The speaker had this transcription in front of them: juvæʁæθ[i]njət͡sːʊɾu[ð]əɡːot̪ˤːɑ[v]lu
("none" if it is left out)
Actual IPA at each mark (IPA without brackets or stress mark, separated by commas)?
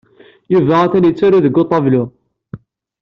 æ, ð, v